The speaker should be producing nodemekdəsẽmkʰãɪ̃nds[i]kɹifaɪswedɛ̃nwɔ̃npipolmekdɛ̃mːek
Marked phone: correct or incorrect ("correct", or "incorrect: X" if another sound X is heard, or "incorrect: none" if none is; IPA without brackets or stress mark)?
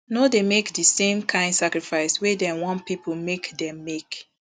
incorrect: a